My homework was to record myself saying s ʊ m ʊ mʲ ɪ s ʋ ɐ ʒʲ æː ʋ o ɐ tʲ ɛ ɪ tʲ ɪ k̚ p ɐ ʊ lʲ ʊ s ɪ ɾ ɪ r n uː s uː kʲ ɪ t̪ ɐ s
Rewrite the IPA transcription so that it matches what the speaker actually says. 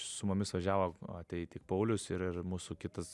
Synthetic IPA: s ʊ m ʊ mʲ ɪ s ʋ ɐ ʒʲ æː ʋ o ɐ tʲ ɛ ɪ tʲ ɪ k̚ p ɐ ʊ lʲ ʊ s ɪ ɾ ɪ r m uː s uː kʲ ɪ t̪ ɐ s